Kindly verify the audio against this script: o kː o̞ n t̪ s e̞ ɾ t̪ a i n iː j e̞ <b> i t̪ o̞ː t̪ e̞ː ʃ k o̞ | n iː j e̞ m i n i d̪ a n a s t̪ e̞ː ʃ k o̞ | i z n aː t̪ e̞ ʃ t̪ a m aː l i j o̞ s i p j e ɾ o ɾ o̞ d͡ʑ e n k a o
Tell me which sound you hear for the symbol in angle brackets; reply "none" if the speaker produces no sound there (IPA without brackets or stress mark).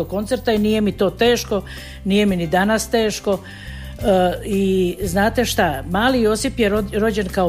m